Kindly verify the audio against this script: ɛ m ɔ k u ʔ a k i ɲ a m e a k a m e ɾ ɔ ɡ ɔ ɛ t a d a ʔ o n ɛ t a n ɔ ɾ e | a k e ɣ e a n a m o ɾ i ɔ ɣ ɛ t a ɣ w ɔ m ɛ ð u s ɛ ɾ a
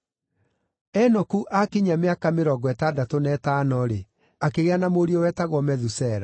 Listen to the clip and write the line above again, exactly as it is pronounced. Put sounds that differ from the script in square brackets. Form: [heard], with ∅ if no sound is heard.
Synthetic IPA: ɛ [n] ɔ k u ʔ a k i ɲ a m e a k a m e ɾ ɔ ɡ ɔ ɛ t a d a [t] o n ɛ t a n ɔ ɾ e | a k e ɣ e a n a m o ɾ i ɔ [w] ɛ t a ɣ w ɔ m ɛ ð u s ɛ ɾ a